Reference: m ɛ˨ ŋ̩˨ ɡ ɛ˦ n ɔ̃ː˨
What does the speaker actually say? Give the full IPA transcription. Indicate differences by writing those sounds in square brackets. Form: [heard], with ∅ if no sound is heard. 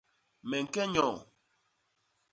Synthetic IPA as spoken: m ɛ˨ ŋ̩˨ [k] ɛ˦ [ɲ] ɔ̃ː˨